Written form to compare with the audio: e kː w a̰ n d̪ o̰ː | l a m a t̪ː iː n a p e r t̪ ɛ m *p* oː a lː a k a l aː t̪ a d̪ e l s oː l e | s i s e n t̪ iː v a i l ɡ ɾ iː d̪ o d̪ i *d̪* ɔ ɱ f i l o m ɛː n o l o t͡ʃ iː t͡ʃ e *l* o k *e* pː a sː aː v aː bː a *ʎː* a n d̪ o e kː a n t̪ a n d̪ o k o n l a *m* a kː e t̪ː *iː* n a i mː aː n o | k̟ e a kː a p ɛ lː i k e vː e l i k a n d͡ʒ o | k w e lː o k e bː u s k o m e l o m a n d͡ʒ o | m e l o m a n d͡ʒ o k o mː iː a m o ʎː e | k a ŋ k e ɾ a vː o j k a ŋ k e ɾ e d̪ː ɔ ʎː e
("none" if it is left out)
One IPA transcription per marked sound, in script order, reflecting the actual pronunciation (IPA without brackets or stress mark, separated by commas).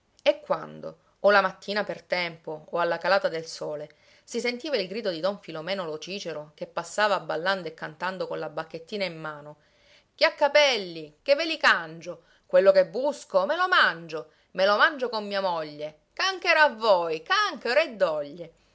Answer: p, d̪, ɾ, e, lː, b, iː